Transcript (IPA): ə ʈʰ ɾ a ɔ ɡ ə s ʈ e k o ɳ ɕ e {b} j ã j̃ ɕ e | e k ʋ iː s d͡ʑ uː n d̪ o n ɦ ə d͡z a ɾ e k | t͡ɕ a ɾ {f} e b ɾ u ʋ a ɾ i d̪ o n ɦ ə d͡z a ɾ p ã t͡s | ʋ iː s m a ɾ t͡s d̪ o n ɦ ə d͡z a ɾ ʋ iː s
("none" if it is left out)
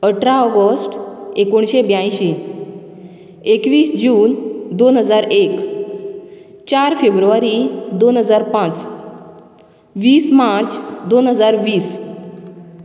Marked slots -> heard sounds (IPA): b, f

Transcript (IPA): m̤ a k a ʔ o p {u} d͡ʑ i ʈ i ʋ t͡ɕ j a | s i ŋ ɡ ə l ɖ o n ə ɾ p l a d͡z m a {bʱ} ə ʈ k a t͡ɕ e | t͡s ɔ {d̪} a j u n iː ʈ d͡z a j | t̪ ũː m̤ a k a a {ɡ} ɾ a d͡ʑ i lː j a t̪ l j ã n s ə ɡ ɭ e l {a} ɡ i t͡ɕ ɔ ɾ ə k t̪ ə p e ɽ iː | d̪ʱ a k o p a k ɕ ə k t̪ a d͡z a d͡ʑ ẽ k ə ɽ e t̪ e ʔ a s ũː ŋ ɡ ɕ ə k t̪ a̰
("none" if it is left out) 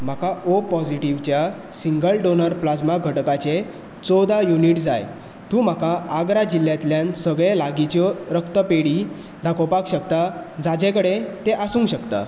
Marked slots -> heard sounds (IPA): ɔ, ɡʱ, d̪, ɡ, a

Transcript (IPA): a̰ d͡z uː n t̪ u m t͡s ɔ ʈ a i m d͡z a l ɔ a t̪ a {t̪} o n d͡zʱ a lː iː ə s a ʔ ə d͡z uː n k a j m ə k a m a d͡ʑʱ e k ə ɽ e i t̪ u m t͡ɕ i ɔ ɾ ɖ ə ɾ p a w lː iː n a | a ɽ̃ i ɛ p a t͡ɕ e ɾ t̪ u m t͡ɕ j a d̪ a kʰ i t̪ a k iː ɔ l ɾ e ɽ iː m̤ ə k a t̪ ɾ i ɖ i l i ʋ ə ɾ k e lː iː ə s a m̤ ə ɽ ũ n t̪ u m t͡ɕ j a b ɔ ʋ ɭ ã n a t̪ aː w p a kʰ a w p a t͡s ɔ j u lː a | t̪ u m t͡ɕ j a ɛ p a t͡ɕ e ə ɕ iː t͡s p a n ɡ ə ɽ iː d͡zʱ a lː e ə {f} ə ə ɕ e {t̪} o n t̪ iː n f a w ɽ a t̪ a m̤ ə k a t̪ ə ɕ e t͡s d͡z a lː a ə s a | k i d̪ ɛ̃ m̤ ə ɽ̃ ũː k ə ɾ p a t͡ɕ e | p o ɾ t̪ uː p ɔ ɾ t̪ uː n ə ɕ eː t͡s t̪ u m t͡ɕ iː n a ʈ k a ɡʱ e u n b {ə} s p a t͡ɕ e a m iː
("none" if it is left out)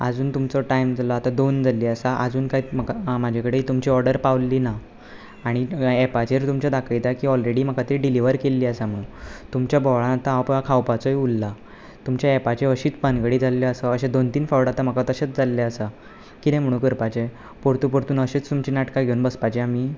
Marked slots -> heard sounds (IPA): d̪, s, d̪, ə

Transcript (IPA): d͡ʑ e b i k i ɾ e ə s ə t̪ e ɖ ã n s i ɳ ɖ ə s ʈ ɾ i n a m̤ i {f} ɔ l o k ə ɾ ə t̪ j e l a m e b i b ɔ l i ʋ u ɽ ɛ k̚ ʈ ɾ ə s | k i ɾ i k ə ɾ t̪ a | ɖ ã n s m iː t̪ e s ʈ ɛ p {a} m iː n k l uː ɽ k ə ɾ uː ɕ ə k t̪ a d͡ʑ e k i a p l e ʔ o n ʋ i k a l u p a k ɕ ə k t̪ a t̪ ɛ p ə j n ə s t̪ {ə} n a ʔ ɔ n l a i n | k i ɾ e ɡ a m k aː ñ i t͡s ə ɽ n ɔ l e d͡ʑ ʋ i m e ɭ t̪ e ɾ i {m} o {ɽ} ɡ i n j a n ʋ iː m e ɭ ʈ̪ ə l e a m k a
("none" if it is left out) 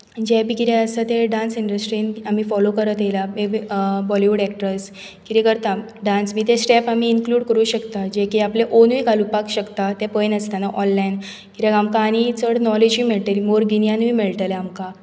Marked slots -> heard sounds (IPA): f, a, a, m, ɾ

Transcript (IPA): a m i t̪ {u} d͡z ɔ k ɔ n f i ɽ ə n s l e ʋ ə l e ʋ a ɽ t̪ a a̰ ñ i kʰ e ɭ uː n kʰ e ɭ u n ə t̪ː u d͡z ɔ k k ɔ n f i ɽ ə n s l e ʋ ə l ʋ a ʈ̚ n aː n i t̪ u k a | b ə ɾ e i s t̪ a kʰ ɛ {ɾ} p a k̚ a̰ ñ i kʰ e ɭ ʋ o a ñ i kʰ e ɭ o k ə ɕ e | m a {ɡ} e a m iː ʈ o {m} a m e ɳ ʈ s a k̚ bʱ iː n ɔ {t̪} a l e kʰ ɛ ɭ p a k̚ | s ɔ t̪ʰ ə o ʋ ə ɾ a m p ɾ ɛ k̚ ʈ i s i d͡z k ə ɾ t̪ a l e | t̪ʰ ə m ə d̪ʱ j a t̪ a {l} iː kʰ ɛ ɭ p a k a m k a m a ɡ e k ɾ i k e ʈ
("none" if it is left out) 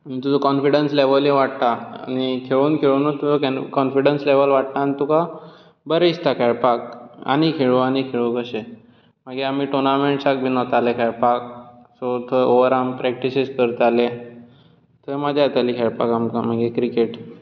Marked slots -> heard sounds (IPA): u, ɭ, ɡ, n, t̪, l

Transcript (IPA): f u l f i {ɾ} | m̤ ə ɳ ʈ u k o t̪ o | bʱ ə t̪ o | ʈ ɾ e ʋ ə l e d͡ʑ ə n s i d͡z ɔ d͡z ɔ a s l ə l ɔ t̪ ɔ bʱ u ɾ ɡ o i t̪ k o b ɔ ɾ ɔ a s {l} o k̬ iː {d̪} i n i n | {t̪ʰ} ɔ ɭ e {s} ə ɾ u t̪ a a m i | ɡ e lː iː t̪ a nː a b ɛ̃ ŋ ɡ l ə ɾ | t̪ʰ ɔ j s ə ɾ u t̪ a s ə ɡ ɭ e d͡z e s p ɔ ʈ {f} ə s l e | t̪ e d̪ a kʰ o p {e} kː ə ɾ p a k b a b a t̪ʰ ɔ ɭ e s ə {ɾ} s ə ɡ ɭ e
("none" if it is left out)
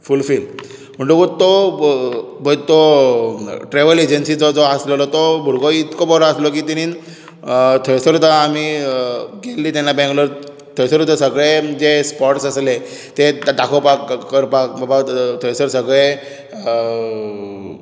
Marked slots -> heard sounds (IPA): l, l, t̪, t̪ʰ, s, s, a, ɾ

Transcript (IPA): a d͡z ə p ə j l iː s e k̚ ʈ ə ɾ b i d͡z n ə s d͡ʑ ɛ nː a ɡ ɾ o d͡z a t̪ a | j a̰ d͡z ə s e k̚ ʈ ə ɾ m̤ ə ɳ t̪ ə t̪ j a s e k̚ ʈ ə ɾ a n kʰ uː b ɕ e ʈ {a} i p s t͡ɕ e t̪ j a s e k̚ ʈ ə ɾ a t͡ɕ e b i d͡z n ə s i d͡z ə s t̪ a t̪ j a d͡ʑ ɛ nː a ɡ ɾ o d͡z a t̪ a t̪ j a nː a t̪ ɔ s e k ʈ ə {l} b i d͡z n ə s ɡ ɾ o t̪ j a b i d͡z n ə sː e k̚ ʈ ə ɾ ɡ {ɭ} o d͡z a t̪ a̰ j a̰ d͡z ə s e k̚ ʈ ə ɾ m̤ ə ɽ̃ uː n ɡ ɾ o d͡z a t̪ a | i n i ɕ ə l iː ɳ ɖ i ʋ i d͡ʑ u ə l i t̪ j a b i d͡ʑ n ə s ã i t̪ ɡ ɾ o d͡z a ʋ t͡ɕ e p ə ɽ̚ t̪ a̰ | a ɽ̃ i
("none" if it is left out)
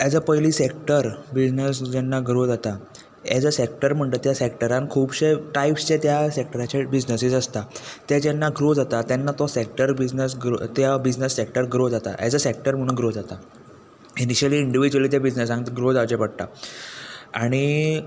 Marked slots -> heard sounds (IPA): a, ɾ, ɾ

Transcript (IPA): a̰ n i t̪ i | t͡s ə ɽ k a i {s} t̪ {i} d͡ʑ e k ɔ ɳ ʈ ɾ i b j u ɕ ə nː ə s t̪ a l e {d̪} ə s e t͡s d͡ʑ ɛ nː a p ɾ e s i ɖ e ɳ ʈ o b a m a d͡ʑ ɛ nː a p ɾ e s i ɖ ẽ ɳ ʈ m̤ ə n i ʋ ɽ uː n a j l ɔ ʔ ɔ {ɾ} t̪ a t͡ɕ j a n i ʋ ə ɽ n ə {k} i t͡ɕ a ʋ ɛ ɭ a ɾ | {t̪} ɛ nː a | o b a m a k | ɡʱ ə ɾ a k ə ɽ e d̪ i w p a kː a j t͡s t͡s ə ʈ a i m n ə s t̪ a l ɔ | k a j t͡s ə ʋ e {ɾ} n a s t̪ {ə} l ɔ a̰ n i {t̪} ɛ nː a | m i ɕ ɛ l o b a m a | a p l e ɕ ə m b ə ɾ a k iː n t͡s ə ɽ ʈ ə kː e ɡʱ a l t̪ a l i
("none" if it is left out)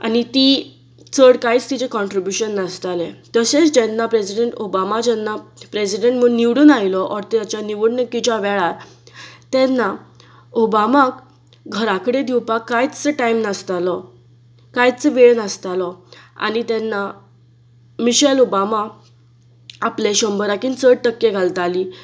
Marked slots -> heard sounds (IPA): t͡s, i, t̪, ɾ, k, t̪, ɭ, a, t̪

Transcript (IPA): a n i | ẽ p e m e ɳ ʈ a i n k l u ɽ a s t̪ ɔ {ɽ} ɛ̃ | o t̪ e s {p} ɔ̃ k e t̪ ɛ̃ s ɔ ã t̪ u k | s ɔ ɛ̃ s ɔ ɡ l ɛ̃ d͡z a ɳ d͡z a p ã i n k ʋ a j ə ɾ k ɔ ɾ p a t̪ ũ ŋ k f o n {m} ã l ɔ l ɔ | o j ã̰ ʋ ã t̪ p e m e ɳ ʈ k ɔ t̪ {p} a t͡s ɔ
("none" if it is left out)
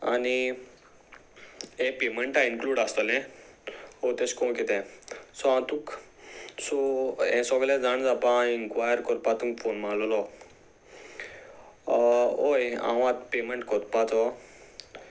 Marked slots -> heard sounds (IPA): l, k, m, p

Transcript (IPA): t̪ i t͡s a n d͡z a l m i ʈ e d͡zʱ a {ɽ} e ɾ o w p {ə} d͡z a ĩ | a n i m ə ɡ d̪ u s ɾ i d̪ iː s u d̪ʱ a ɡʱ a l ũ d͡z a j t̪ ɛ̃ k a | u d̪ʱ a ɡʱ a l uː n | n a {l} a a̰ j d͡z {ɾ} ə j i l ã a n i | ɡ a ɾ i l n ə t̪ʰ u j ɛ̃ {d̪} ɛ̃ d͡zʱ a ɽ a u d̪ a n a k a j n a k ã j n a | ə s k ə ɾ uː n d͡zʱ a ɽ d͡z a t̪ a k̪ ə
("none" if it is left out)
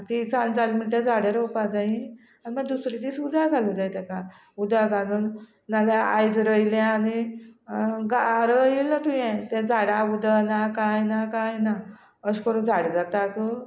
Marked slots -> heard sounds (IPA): ɽ, a, l, ɾ, t̪

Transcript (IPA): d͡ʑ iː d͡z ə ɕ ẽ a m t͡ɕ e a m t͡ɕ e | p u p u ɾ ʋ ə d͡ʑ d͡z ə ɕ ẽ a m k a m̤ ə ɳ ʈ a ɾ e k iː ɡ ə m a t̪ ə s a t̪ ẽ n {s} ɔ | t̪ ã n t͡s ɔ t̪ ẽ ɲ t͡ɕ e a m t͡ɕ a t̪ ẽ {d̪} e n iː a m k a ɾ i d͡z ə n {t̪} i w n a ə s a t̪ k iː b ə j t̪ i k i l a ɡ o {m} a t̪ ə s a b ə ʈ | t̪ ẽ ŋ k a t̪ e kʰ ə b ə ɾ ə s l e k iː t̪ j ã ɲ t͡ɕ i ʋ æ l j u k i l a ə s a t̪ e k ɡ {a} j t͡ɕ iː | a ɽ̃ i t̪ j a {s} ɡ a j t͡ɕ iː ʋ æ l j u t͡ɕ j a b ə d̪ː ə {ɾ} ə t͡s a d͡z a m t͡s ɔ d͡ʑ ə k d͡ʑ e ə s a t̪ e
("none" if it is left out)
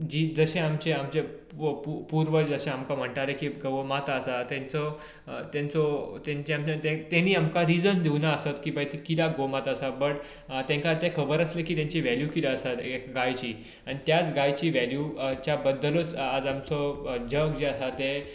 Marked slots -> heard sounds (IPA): t͡s, t̪, d̪, m, a, t͡s, l

